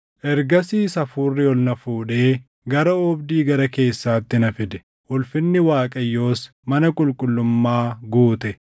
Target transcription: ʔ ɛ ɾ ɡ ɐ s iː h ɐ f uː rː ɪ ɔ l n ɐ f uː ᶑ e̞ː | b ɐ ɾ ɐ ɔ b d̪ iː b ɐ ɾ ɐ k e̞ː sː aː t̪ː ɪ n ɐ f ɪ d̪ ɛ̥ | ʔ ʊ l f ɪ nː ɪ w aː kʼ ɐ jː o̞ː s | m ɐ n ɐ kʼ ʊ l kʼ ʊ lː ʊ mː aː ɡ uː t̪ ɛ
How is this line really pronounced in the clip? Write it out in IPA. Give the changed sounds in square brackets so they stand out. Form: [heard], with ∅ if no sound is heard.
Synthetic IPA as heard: ʔ ɛ ɾ ɡ ɐ s iː [s] ɐ f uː rː ɪ ɔ l n ɐ f uː ᶑ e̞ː | [ɡ] ɐ ɾ ɐ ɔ b d̪ iː [ɡ] ɐ ɾ ɐ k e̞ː sː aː t̪ː ɪ n ɐ f ɪ d̪ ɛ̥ | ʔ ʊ l f ɪ nː ɪ w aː kʼ ɐ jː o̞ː s | m ɐ n ɐ kʼ ʊ l kʼ ʊ lː ʊ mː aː ɡ uː t̪ ɛ